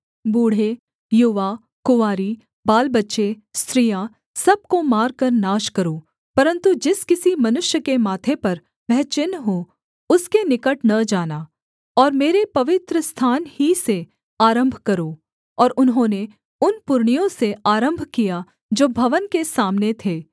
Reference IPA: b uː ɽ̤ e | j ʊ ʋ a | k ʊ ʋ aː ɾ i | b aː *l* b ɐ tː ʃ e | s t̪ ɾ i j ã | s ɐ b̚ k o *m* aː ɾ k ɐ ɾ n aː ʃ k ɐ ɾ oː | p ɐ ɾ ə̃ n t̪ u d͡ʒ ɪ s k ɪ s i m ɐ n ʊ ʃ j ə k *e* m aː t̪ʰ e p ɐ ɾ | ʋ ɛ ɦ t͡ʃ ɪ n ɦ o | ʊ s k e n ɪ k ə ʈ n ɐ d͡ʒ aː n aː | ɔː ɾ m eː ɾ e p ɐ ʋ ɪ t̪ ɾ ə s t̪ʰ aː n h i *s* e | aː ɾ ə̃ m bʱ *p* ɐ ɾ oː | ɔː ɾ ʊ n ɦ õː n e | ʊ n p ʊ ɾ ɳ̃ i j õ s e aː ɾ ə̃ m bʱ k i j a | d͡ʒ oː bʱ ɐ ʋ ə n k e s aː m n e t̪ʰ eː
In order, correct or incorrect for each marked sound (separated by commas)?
correct, correct, correct, correct, incorrect